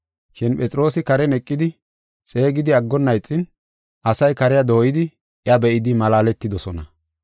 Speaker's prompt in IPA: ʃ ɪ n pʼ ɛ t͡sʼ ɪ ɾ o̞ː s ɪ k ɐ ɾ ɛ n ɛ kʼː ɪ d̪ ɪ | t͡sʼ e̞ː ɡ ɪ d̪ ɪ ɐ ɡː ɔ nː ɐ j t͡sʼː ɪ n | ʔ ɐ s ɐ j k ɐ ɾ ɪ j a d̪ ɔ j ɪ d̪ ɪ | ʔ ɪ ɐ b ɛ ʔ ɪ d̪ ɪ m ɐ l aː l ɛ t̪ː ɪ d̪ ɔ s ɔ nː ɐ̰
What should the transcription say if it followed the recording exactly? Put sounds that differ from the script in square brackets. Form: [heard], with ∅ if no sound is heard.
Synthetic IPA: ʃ ɪ n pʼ ɛ t͡sʼ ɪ ɾ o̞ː s ɪ k ɐ ɾ ɛ n ɛ kʼː ɪ d̪ ɪ | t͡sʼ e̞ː ɡ ɪ d̪ ɪ ɐ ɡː ɔ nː ɐ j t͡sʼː ɪ n | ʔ ɐ s ɐ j k ɐ ɾ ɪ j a d̪ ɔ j ɪ d̪ ɪ | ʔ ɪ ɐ b ɛ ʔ ɪ d̪ ɪ m ɐ l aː l ɛ t̪ː ɪ d̪ ɔ s ɔ [n] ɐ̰

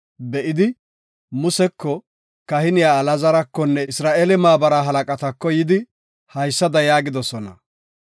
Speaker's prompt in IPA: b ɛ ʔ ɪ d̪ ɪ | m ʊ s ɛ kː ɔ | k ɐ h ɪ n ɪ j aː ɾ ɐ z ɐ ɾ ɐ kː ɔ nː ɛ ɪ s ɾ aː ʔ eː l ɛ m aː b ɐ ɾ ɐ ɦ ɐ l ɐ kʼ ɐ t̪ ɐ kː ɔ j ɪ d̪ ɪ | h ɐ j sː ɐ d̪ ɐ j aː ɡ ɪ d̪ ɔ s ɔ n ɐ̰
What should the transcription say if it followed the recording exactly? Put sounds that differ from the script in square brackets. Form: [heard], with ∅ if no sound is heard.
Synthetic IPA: b ɛ ʔ ɪ d̪ ɪ | m ʊ s ɛ kː ɔ | k ɐ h ɪ n ɪ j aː [l] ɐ z ɐ ɾ ɐ kː ɔ nː ɛ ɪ s ɾ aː ʔ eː l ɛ m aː b ɐ ɾ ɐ ɦ ɐ l ɐ kʼ ɐ t̪ ɐ kː ɔ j ɪ d̪ ɪ | h ɐ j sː ɐ d̪ ɐ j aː ɡ ɪ d̪ ɔ s ɔ n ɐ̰

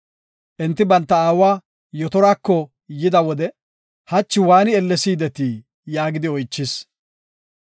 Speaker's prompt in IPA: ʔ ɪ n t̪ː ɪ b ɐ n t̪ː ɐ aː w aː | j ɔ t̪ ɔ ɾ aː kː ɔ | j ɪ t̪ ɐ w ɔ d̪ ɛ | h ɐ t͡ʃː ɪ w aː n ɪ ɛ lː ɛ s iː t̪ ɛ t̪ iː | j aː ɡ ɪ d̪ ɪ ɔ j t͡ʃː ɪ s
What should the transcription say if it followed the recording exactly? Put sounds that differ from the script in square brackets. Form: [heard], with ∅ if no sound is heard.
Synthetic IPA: ʔ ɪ n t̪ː ɪ b ɐ n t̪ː ɐ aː w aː | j ɔ t̪ ɔ ɾ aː kː ɔ | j ɪ [d̪] ɐ w ɔ d̪ ɛ | h ɐ t͡ʃː ɪ w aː n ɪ ɛ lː ɛ s iː [d̪] ɛ t̪ iː | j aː ɡ ɪ d̪ ɪ ɔ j t͡ʃː ɪ s

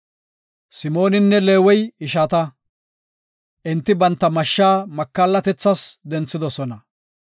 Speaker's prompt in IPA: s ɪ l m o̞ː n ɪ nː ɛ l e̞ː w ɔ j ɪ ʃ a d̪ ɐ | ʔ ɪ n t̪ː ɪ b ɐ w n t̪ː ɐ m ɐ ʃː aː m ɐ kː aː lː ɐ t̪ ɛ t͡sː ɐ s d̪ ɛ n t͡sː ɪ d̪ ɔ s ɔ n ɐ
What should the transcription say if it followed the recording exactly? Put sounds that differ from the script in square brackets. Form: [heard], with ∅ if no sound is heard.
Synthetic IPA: s ɪ [∅] m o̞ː n ɪ nː ɛ l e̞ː w ɔ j ɪ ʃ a [t̪] ɐ | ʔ ɪ n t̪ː ɪ b ɐ [∅] n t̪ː ɐ m ɐ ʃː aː m ɐ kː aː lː ɐ t̪ ɛ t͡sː ɐ s d̪ ɛ n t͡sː ɪ d̪ ɔ s ɔ n ɐ

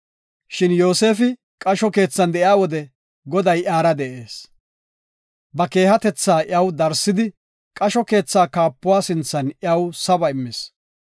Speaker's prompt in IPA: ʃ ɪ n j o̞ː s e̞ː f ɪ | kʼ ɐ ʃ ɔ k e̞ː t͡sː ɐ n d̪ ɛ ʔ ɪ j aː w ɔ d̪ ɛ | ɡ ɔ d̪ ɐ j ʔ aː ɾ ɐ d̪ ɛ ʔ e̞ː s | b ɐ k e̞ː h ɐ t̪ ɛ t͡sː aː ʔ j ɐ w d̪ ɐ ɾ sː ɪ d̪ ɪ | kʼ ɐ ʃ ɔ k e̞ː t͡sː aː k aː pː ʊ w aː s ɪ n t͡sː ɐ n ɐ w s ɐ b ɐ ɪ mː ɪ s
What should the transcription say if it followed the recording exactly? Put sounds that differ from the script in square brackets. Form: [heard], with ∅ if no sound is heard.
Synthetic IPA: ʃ ɪ n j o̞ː s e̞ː f ɪ | kʼ ɐ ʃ ɔ k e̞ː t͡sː ɐ n d̪ ɛ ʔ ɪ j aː w ɔ d̪ ɛ | ɡ ɔ d̪ ɐ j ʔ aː ɾ ɐ d̪ ɛ ʔ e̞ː s | b ɐ k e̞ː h ɐ t̪ ɛ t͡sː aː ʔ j ɐ w d̪ ɐ ɾ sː ɪ d̪ ɪ | kʼ ɐ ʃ ɔ k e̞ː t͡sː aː k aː pː ʊ w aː s ɪ n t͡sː ɐ n ɐ w s ɐ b ɐ ɪ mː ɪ s

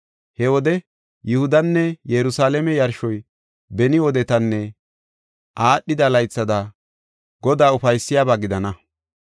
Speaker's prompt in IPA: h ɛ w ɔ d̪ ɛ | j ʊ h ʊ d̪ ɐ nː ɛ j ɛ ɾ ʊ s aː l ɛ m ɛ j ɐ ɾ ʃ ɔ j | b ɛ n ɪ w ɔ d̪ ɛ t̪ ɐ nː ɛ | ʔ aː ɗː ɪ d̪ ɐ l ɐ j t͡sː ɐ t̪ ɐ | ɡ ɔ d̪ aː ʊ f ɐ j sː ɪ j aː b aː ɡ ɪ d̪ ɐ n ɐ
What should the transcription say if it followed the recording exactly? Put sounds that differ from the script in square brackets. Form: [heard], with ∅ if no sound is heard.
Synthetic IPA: h ɛ w ɔ d̪ ɛ | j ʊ h ʊ d̪ ɐ nː ɛ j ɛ ɾ ʊ s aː l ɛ m ɛ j ɐ ɾ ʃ ɔ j | b ɛ n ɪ w ɔ d̪ ɛ t̪ ɐ nː ɛ | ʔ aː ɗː ɪ d̪ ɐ l ɐ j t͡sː ɐ [d̪] ɐ | ɡ ɔ d̪ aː ʊ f ɐ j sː ɪ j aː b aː ɡ ɪ d̪ ɐ n ɐ

